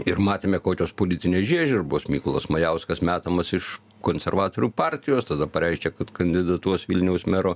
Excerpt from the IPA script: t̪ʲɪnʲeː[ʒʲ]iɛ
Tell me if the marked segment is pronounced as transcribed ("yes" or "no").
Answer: yes